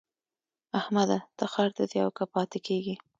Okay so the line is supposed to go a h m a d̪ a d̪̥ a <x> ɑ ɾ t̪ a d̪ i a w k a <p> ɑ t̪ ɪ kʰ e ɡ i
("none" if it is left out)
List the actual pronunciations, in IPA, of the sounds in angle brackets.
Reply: x, p

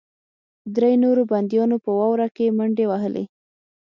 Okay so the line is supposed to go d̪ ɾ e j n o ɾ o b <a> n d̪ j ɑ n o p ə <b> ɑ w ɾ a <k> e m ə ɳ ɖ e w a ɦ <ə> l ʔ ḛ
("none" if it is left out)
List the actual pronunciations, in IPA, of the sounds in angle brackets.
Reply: a, w, k, ə

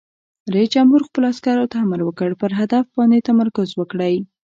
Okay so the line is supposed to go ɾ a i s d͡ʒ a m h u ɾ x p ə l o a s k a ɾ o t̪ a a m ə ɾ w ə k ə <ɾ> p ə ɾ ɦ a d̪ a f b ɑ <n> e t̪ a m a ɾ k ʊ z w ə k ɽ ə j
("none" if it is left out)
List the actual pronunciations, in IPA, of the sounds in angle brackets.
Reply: ɽ, n

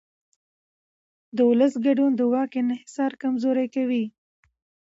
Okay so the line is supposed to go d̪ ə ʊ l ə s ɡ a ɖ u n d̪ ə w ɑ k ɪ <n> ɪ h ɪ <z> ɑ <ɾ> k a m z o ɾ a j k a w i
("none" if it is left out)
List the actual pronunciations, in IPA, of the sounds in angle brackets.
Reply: n, s, ɾ

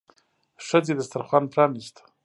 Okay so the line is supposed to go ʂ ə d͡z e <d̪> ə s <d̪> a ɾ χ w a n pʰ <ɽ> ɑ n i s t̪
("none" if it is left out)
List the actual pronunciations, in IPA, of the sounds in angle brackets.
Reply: d̪, t̪, ɾ

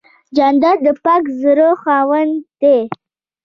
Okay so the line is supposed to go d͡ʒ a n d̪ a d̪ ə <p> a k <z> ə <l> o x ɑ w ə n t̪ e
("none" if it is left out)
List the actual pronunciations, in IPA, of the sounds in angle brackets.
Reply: p, z, ɾ

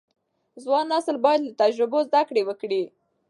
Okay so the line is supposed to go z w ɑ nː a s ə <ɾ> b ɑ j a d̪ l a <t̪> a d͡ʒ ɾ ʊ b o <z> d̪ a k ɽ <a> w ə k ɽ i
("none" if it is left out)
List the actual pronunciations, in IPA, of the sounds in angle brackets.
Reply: l, t̪, z, e

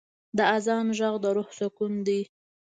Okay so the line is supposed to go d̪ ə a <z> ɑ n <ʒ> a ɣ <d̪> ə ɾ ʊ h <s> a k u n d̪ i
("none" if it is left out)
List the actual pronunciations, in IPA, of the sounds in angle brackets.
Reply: z, ʒ, d̪, s

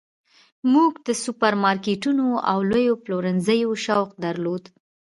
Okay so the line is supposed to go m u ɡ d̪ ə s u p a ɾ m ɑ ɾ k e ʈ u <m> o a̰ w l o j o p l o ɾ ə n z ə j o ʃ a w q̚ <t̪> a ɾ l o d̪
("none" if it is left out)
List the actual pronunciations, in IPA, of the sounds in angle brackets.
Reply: n, d̪

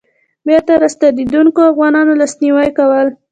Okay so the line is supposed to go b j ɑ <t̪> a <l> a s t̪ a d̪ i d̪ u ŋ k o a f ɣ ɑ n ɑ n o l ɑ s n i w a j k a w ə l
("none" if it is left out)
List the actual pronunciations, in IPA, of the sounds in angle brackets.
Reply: t̪, ɾ

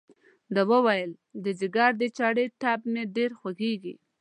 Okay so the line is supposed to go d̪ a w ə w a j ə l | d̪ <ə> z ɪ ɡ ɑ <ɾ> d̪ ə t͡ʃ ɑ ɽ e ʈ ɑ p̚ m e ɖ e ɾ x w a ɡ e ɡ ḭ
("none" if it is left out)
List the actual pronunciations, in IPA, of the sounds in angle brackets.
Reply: ə, ɾ

